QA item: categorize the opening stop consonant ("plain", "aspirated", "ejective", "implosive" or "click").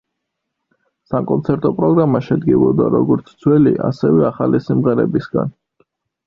ejective